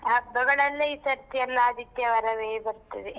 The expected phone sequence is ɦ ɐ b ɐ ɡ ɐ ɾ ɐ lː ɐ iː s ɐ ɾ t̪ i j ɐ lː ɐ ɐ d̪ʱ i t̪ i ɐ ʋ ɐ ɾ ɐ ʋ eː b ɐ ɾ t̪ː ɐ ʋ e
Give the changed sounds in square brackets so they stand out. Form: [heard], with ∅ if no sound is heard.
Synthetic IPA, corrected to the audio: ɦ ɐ b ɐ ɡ ɐ [ɭ] ɐ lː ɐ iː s ɐ ɾ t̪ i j ɐ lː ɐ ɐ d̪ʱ i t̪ [j] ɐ ʋ ɐ ɾ ɐ ʋ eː b ɐ ɾ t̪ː ɐ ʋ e